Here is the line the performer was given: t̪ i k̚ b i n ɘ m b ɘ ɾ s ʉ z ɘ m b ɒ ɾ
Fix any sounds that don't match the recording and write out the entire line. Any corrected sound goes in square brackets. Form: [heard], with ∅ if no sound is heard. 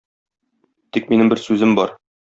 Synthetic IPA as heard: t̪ i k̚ [m] i n ɘ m b ɘ ɾ s ʉ z ɘ m b ɒ ɾ